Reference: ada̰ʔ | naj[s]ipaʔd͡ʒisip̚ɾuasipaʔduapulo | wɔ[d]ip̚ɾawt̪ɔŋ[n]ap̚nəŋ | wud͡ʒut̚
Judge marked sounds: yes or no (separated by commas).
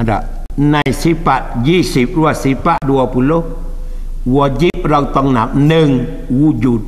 yes, no, yes